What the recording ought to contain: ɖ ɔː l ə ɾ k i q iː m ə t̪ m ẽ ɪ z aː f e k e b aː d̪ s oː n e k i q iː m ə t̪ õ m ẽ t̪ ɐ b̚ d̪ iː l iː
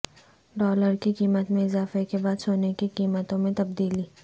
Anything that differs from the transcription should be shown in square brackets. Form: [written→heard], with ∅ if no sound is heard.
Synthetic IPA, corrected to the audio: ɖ ɔː l ə ɾ k i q iː m ə t̪ m ẽ ɪ z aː f e k e b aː d̪ s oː n e k i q iː m ə t̪ õ m ẽ t̪ ɐ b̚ d̪ iː l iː